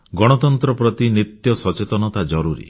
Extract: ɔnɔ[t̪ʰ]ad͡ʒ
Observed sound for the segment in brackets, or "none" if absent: t̪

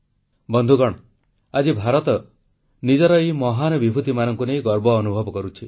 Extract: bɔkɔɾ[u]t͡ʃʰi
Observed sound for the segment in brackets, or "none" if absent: u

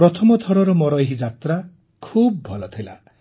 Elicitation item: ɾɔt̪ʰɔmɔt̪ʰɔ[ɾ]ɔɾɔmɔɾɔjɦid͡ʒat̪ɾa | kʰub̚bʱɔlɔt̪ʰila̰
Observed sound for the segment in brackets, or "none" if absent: ɾ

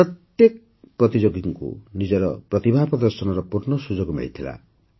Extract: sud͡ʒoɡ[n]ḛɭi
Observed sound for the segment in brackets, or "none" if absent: m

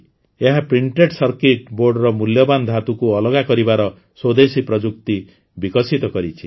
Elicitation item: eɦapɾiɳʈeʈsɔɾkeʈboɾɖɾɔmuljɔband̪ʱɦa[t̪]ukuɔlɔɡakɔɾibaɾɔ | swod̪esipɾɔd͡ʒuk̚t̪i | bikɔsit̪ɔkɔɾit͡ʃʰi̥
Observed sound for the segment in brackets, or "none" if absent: t̪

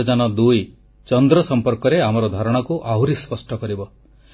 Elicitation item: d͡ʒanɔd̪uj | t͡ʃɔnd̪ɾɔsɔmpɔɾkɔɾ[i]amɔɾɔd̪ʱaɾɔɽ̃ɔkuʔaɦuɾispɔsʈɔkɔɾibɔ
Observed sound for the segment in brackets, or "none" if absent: e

